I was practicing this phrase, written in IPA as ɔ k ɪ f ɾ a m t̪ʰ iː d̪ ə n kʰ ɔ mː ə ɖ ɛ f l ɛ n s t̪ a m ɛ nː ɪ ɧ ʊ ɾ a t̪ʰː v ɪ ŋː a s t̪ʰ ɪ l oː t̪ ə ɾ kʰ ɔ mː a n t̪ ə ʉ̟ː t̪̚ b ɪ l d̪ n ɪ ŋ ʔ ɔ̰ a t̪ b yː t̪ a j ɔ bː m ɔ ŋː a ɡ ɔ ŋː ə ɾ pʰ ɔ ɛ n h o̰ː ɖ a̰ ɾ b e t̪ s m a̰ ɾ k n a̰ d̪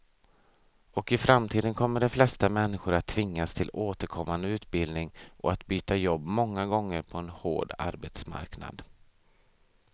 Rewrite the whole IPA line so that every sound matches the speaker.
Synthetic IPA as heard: ɔ k ɪ f ɾ a m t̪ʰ iː d̪ ə n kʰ ɔ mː ə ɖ ɛ f l ɛ s t̪ a m ɛ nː ɪ ɧ ʊ ɾ a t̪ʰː v ɪ ŋː a s t̪ʰ ɪ l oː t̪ ə ɾ kʰ ɔ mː a n d̪ ə ʉ̟ː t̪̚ b ɪ l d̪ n ɪ ŋ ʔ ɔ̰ a t̪ b yː t̪ a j ɔ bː m ɔ ŋː a ɡ ɔ ŋː ə ɾ pʰ ɔ ɛ n h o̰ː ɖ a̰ ɾ b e t̪ s m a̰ ɾ k n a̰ d̪